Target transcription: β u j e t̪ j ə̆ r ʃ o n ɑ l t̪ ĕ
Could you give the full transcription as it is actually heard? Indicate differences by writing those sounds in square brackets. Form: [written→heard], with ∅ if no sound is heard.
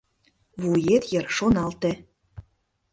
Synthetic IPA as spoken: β u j e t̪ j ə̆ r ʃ o n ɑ l t̪ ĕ